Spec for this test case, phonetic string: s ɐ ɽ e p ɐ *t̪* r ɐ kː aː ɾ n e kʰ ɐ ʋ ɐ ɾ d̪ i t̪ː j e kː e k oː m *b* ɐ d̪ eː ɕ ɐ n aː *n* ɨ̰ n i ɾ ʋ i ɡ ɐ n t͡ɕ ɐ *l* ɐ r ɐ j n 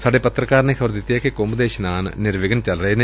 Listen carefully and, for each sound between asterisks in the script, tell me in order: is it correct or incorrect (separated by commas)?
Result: correct, correct, correct, correct